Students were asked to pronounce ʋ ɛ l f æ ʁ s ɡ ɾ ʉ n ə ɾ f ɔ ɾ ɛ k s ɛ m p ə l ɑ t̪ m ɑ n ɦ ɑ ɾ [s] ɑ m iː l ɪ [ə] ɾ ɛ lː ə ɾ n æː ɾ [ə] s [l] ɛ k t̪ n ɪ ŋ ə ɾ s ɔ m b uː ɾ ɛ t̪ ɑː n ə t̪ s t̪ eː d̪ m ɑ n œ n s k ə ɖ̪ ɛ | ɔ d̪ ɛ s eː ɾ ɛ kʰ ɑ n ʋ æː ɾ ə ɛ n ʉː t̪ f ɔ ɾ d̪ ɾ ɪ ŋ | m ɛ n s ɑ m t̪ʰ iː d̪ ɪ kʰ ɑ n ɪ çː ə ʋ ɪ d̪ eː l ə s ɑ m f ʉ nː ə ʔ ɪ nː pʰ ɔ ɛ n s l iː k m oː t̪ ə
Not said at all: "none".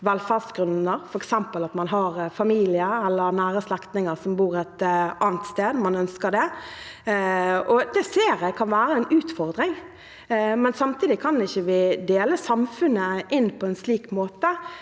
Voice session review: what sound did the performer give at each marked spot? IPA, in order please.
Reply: f, ə, ə, l

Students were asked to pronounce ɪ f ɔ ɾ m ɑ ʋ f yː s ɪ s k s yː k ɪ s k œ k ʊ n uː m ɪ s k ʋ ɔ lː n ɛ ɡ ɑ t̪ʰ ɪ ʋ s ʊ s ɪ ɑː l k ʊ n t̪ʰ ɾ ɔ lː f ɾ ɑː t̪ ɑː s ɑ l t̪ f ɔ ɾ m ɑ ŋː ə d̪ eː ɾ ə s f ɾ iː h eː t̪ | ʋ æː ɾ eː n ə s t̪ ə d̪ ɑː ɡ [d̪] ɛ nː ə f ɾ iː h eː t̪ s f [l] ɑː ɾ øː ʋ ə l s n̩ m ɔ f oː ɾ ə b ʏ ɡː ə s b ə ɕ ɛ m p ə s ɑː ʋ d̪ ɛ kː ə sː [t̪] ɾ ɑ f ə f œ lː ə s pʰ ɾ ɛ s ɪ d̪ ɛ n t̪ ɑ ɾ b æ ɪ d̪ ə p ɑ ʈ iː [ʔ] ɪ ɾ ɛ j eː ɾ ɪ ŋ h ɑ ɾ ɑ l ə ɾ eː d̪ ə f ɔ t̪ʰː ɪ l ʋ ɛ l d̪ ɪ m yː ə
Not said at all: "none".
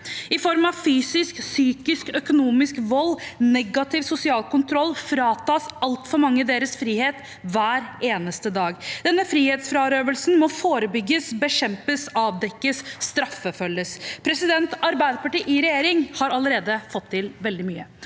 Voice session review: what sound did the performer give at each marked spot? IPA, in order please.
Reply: d̪, ɾ, t̪, ʔ

